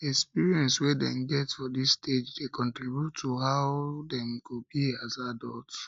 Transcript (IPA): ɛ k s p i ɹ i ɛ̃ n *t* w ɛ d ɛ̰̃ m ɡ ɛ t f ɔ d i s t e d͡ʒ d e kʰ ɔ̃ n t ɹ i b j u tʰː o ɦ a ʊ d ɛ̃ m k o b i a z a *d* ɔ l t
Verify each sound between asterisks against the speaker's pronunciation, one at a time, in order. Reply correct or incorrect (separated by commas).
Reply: incorrect, correct